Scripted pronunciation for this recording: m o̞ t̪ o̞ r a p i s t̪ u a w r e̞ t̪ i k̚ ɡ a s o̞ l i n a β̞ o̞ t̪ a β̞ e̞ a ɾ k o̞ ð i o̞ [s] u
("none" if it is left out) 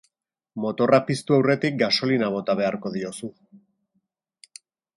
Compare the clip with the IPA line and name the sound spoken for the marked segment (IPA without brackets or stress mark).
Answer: s